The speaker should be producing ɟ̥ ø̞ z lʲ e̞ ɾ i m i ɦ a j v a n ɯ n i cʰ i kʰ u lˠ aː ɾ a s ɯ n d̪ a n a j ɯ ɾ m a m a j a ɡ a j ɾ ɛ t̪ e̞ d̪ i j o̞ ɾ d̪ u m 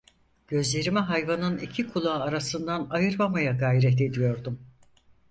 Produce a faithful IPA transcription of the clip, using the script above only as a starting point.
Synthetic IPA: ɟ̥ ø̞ z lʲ e̞ ɾ i m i ɦ a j v a n ɯ n i cʰ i kʰ u lˠ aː ɾ a s ɯ n d̪ a n a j ɯ ɾ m a m a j a ɡ a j ɾ ɛ t̪ e̞ d̪ i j o̞ ɾ d̪ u m